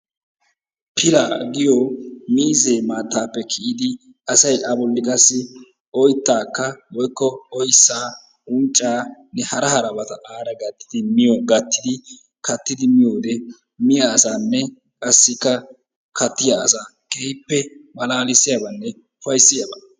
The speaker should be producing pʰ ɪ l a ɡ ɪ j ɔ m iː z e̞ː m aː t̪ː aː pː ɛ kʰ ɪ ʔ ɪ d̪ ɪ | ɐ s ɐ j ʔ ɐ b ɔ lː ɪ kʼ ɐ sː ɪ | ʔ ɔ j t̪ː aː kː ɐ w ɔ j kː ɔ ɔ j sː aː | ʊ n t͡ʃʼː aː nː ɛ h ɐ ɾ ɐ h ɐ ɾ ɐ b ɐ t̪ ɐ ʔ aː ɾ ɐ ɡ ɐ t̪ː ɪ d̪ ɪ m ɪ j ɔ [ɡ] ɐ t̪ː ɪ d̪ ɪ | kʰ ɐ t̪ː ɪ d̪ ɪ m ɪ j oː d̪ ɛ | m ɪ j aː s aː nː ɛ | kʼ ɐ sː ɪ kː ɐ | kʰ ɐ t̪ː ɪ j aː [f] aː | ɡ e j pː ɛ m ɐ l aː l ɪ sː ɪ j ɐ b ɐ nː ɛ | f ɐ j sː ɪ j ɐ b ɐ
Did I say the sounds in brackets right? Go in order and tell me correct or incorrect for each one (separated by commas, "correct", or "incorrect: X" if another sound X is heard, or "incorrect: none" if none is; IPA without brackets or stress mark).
correct, incorrect: s